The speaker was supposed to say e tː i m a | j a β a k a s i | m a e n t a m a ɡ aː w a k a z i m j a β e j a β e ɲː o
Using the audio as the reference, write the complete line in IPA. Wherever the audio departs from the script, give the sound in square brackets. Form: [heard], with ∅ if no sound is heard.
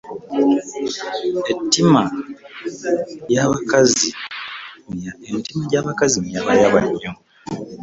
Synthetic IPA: e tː i m a | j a β a k a [z] i | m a e n t [i] m a [ɟ] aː [β] a k a z i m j a β [a] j a β [a] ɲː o